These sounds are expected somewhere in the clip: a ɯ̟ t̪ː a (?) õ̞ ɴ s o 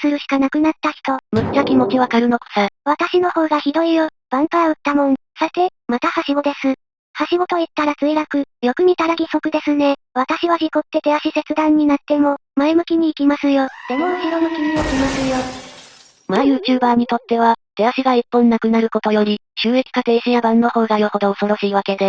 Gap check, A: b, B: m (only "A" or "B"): B